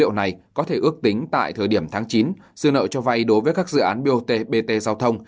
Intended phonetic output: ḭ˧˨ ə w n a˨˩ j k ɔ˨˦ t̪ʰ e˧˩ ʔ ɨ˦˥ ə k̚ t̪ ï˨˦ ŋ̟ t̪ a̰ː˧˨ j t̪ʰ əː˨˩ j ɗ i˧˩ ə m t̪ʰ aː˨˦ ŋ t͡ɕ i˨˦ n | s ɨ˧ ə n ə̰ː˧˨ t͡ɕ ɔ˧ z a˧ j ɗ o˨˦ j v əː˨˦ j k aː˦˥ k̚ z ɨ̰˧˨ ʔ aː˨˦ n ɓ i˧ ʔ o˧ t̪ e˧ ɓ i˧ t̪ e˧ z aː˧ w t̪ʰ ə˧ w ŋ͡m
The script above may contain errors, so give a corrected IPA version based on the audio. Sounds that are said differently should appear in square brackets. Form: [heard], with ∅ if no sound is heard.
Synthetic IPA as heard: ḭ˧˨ ə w n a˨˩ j k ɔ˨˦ t̪ʰ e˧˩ ʔ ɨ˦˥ ə k̚ t̪ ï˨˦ ŋ̟ t̪ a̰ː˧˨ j t̪ʰ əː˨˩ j ɗ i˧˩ ə m t̪ʰ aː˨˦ ŋ t͡ɕ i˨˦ n | s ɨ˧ ə n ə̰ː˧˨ t͡ɕ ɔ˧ [v] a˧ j ɗ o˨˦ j v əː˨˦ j k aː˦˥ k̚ z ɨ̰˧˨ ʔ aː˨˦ n ɓ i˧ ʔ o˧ t̪ e˧ ɓ [e˧] t̪ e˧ z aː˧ w t̪ʰ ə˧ w ŋ͡m

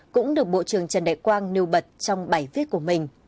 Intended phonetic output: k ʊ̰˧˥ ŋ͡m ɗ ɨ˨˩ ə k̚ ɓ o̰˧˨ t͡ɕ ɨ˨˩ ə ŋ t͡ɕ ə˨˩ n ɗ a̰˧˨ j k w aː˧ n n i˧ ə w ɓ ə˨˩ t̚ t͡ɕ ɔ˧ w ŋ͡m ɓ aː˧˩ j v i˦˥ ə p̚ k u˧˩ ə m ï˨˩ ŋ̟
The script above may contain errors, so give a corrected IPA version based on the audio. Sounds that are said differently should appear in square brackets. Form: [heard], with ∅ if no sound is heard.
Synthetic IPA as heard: k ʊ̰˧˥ ŋ͡m ɗ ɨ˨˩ ə k̚ ɓ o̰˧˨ t͡ɕ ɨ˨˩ ə ŋ t͡ɕ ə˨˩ n ɗ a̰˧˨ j k w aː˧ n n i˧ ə w ɓ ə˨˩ t̚ t͡ɕ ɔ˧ w ŋ͡m ɓ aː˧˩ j v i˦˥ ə [t̚] k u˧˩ ə m ï˨˩ ŋ̟

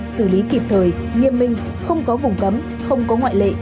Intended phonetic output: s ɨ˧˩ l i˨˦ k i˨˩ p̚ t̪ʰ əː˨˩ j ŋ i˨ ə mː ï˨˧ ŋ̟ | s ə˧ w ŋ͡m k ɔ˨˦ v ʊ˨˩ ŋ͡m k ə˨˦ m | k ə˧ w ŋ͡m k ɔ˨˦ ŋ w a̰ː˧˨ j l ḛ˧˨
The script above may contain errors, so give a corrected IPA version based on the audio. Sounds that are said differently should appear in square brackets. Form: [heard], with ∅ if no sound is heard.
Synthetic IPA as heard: s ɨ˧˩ l i˨˦ k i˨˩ p̚ t̪ʰ əː˨˩ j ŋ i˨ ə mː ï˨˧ ŋ̟ | [x] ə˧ w ŋ͡m k ɔ˨˦ v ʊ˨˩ ŋ͡m k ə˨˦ m | [x] ə˧ w ŋ͡m k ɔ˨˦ ŋ w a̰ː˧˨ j l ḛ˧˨

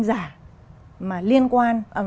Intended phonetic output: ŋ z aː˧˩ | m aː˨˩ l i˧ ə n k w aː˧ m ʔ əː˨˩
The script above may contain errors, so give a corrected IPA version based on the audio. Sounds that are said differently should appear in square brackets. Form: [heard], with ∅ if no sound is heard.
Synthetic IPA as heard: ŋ z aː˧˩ | m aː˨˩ l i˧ ə n k w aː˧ [n] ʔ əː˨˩

